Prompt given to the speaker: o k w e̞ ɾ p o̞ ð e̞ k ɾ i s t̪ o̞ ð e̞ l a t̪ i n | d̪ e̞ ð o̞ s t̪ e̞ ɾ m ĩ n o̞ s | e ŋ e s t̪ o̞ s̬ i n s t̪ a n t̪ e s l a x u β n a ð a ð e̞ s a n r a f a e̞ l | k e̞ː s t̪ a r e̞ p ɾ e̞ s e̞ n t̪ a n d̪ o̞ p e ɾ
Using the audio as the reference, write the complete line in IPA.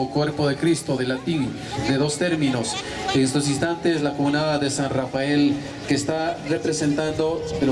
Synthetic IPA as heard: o k w e̞ ɾ p o̞ ð e̞ k ɾ i s t̪ o̞ ð e̞ l a t̪ i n | d̪ e̞ ð o̞ s t̪ e̞ ɾ m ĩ n o̞ s | e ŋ e s t̪ o̞ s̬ i n s t̪ a n t̪ e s l a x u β n a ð a ð e̞ s a n r a f a e̞ l | k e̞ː s t̪ a r e̞ p ɾ e̞ s e̞ n t̪ a n d̪ o̞ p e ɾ